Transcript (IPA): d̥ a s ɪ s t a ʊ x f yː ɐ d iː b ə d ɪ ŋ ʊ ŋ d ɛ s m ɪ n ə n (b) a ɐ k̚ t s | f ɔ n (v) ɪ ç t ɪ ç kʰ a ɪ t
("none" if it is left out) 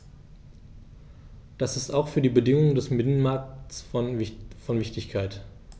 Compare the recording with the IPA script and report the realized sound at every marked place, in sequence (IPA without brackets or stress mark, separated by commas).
m, v